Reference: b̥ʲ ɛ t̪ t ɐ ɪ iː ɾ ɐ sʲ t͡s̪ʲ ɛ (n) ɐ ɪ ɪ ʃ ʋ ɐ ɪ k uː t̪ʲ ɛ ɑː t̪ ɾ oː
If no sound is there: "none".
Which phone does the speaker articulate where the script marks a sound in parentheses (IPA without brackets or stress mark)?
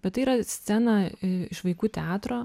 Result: n